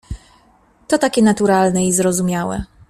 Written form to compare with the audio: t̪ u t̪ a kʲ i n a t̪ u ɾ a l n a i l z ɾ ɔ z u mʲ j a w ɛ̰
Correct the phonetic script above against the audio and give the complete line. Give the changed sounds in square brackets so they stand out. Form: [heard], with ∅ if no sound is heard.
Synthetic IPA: t̪ [ɔ] t̪ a kʲ [ɛ] n a t̪ u ɾ a l n [ɛ] i [∅] z ɾ ɔ z u mʲ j a w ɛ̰